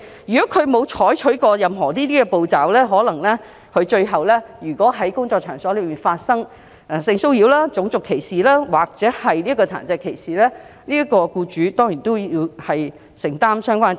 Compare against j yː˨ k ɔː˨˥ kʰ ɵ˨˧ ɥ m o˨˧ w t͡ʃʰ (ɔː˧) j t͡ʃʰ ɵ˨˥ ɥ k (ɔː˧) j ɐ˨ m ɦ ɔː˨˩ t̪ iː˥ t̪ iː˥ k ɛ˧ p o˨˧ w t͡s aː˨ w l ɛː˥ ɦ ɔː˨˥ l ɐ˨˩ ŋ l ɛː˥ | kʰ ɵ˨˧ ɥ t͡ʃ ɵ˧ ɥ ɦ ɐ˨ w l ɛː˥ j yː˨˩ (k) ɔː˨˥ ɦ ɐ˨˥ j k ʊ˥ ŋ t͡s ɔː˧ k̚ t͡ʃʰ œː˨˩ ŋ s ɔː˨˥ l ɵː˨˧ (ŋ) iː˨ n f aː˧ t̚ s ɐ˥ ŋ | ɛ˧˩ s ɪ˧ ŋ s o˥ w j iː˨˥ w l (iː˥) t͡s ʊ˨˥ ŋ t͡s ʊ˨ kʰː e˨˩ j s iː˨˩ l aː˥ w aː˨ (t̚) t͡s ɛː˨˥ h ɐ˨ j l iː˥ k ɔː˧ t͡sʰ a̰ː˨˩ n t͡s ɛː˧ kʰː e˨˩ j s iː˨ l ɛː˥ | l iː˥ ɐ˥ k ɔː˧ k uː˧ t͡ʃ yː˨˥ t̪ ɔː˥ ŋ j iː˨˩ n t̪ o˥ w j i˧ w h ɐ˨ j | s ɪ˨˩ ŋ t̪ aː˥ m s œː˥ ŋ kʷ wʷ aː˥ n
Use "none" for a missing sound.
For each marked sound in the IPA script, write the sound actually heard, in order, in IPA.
ɔː˨˥, ɔː˧, k, m, aː˥, k̚

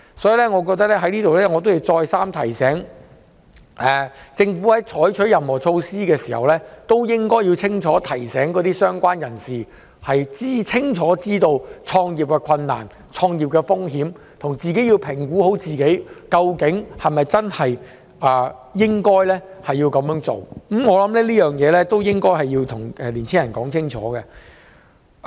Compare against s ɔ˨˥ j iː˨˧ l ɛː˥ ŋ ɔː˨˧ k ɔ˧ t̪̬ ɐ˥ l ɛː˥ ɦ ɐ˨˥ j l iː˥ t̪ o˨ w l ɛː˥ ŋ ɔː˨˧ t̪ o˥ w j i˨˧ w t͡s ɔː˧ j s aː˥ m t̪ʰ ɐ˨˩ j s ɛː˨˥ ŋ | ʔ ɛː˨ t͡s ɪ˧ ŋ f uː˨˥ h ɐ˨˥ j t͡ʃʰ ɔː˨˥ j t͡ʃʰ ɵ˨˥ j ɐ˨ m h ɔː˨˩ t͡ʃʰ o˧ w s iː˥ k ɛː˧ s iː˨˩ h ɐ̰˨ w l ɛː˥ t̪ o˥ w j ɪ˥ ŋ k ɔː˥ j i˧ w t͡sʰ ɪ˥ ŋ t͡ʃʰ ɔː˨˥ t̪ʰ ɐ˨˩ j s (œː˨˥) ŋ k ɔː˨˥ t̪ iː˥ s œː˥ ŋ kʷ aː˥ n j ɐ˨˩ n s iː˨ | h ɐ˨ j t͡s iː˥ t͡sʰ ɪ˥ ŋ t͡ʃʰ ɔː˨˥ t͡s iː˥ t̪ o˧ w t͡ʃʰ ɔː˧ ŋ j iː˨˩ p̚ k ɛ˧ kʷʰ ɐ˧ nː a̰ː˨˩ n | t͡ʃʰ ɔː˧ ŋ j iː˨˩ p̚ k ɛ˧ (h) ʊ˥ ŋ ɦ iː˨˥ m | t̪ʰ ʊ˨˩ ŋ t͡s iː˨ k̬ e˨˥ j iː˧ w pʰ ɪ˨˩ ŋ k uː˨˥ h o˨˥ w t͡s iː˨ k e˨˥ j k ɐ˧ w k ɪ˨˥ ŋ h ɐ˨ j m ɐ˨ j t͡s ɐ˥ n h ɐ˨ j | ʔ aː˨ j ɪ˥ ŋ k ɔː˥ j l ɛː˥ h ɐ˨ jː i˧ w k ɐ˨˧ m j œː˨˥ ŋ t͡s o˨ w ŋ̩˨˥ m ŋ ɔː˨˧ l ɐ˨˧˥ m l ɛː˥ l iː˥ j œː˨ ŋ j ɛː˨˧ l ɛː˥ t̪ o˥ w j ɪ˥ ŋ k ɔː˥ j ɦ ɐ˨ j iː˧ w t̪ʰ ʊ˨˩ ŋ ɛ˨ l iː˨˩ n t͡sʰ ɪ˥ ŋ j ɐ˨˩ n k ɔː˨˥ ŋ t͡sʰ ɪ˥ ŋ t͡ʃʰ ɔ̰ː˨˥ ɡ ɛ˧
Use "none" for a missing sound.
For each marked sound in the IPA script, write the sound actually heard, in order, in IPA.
ɛː˨˥, f

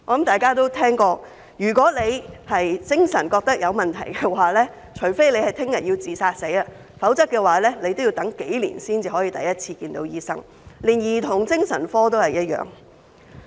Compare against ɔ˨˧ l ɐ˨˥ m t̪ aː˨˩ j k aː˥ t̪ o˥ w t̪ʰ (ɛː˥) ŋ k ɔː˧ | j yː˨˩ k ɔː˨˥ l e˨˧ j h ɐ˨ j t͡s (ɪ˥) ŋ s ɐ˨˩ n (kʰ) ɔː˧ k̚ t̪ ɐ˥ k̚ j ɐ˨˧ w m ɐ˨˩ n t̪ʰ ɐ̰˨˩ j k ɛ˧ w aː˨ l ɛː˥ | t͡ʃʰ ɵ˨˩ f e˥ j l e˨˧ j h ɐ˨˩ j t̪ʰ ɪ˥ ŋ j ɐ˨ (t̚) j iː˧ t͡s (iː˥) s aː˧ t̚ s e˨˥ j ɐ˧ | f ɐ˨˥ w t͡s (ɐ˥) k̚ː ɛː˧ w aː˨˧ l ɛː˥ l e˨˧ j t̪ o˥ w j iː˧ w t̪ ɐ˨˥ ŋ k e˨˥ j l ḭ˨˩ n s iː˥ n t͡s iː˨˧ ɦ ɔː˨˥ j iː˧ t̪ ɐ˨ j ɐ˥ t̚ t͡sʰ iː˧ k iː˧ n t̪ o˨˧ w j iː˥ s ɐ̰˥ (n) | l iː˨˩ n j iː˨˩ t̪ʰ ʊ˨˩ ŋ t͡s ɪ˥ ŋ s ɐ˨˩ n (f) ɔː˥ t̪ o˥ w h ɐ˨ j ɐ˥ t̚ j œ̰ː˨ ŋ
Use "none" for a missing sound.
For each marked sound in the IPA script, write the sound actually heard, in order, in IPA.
ɛː˥, ɪ˥, k, t̚, iː˨˩, ɐ˥, ŋ, f

